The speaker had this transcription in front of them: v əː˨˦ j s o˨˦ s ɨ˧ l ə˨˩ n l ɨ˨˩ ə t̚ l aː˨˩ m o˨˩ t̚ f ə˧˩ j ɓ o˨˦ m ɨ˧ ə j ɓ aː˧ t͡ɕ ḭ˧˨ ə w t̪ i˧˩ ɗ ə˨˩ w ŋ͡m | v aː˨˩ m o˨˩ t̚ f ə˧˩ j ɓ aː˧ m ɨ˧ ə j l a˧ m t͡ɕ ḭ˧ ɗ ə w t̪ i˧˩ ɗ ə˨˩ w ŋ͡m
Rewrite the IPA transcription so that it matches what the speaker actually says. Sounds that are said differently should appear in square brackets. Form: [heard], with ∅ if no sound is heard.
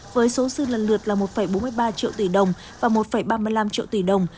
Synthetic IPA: v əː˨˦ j s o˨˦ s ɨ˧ l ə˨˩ n l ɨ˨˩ ə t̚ l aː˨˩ m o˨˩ t̚ f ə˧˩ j ɓ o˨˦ m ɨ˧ ə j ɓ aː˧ t͡ɕ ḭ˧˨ ə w t̪ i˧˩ ɗ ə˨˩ w ŋ͡m | v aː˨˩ m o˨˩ t̚ f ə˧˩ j ɓ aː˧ m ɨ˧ ə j l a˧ m t͡ɕ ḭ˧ [∅] ə w t̪ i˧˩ ɗ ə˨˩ w ŋ͡m